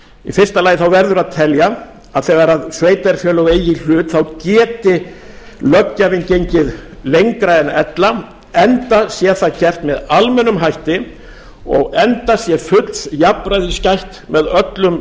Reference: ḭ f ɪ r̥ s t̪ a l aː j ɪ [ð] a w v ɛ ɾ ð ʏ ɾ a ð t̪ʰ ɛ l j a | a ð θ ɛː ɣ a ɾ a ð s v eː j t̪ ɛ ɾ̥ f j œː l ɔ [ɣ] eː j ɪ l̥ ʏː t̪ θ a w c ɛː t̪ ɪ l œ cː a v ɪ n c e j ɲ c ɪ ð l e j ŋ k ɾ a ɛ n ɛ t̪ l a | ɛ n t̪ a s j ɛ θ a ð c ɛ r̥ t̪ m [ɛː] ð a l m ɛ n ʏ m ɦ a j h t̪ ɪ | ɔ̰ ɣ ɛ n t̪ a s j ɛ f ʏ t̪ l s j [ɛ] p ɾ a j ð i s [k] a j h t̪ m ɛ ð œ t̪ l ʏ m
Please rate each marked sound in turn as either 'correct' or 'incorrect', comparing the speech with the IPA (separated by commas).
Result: incorrect, correct, incorrect, incorrect, incorrect